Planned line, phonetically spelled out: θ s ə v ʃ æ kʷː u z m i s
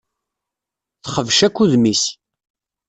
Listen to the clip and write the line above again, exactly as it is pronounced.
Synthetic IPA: θ χ ə v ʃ æ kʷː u ð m i s